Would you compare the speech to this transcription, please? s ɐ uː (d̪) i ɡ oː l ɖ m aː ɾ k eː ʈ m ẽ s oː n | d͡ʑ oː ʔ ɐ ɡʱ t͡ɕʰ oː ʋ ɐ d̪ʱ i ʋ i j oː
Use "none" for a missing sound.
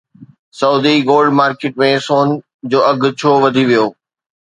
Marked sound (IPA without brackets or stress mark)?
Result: d̪